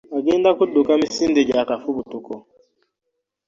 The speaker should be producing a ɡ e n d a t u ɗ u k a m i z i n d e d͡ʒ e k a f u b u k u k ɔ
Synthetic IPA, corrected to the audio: a ɡ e n d a k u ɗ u k a m i s i n d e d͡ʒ a k a f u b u t u k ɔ